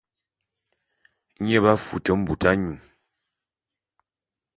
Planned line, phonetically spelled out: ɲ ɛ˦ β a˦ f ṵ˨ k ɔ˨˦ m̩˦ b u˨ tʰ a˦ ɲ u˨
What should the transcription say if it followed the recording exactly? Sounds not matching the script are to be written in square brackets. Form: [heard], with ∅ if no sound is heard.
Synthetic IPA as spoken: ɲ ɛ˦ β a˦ f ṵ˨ [t] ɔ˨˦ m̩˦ b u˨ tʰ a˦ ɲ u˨